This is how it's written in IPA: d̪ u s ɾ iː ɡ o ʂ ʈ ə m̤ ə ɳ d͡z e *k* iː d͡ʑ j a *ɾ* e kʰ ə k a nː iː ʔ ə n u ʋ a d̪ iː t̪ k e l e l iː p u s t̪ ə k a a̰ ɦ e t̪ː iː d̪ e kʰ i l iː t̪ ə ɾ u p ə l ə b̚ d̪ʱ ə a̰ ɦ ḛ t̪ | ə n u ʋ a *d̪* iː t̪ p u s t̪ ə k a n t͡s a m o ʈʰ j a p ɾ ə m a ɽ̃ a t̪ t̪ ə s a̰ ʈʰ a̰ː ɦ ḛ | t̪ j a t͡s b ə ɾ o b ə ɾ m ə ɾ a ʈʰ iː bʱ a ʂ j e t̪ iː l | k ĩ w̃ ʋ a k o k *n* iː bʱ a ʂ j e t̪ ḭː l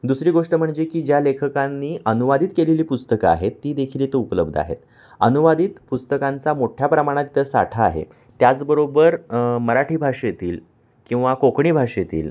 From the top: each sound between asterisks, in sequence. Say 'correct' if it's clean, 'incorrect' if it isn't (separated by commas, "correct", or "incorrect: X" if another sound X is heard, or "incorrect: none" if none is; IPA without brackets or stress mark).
correct, incorrect: l, correct, incorrect: ɳ